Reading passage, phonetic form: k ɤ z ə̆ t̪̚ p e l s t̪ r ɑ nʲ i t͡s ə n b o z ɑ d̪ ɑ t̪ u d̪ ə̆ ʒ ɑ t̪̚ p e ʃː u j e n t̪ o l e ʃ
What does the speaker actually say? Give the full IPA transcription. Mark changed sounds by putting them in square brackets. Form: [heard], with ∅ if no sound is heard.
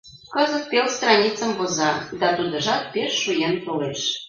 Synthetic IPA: k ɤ z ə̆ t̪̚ p e l s t̪ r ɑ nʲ i t͡s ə [m] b o z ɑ d̪ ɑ t̪ u d̪ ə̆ ʒ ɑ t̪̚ p e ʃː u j e n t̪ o l e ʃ